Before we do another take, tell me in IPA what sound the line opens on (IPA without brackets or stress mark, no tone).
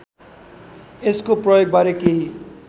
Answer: e